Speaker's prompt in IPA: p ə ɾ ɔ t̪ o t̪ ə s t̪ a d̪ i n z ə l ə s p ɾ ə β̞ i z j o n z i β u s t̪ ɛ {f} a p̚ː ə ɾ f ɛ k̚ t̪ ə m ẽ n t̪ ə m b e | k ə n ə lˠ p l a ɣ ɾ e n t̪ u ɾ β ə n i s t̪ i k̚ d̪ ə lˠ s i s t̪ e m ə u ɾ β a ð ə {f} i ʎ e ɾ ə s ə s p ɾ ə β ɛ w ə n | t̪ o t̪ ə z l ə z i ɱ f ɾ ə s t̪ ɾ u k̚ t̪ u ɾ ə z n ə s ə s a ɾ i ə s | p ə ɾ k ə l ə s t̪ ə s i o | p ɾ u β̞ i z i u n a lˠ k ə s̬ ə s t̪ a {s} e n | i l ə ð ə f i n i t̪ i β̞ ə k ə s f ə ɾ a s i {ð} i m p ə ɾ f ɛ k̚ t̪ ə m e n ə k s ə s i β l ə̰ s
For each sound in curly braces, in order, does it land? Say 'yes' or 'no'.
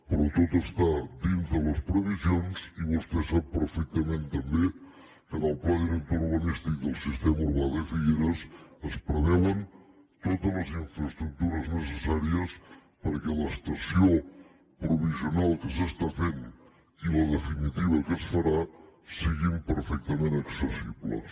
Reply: no, yes, no, no

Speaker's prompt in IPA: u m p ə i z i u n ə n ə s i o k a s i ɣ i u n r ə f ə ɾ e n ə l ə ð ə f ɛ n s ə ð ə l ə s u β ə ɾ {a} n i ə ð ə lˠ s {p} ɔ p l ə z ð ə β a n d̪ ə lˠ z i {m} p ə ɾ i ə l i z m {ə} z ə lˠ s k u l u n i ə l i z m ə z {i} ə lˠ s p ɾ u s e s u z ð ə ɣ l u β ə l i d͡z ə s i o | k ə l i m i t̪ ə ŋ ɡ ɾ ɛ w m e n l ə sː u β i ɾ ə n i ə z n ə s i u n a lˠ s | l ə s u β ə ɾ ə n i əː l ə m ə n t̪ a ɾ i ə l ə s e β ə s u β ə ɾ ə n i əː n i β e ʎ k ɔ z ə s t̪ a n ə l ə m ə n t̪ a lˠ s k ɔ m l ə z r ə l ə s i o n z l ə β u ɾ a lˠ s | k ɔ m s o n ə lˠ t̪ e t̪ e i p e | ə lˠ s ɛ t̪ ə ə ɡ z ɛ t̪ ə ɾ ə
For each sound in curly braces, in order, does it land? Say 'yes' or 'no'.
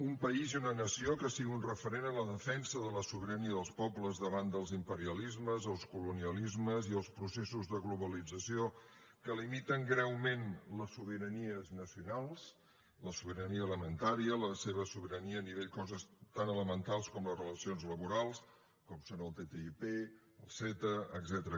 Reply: no, yes, yes, yes, yes

